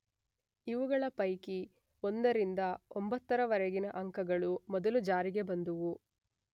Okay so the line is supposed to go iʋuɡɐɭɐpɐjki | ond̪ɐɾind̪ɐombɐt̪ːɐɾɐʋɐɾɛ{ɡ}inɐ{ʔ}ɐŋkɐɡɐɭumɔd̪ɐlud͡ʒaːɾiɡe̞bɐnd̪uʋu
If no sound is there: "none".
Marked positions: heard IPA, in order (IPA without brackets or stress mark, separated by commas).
ɡ, ʔ